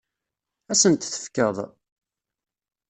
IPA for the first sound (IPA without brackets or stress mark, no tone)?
æ